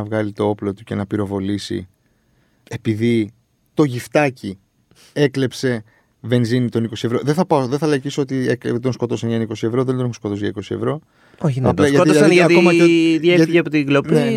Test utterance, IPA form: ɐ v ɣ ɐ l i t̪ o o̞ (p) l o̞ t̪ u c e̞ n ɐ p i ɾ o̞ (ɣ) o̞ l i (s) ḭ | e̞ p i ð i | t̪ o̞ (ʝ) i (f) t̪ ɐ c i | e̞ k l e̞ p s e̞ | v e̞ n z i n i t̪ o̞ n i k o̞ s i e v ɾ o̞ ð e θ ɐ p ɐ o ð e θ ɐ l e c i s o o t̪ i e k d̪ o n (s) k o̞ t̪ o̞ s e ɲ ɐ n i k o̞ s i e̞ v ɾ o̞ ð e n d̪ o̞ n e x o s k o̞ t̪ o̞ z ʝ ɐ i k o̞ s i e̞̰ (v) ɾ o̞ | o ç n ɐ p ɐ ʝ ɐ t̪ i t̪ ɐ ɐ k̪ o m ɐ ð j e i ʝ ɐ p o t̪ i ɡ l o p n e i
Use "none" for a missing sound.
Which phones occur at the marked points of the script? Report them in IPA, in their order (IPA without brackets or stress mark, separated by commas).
p, v, s, ʝ, f, s, v